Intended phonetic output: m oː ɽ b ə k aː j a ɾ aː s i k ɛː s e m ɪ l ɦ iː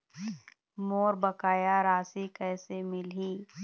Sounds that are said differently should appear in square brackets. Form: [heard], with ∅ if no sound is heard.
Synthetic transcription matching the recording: m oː [ɾ] b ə k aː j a ɾ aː s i k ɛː s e m ɪ l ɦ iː